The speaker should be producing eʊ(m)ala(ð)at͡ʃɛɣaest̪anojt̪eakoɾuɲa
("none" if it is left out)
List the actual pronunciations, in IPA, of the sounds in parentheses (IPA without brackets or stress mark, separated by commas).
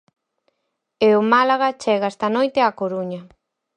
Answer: m, ɣ